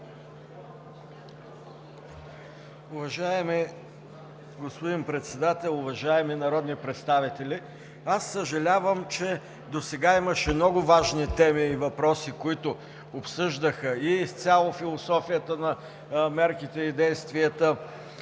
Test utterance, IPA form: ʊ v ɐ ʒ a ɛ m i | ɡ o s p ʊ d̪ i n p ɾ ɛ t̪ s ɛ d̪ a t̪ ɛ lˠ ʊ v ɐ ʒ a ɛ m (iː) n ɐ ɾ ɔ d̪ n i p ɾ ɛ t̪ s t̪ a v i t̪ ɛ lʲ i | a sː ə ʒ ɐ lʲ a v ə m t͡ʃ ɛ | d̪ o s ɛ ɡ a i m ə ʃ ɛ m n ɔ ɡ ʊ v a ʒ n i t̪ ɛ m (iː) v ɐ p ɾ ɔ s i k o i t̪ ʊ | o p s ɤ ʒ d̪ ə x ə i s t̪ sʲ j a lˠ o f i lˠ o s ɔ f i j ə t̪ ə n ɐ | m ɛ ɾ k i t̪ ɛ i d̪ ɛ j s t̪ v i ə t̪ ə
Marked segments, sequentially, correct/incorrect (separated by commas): incorrect, correct